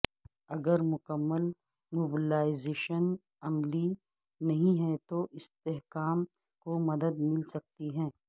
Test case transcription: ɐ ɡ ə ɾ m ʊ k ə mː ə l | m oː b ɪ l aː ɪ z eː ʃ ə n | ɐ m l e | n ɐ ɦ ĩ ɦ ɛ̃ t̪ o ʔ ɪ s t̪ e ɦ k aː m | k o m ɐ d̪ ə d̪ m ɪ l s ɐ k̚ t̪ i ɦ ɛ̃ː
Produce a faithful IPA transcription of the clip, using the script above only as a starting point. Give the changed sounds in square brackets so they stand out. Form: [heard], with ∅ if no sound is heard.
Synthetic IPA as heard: ɐ ɡ ə ɾ m ʊ k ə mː ə l | m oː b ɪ l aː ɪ z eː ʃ ə n | ɐ m l [i] | n ɐ ɦ ĩ ɦ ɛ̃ t̪ o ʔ ɪ s t̪ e ɦ k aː m | k o m ɐ d̪ ə d̪ m ɪ l s ɐ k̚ t̪ i ɦ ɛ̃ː